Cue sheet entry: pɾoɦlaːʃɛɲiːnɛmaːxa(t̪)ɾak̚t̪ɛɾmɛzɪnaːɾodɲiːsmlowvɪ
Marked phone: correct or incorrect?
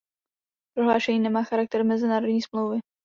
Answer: incorrect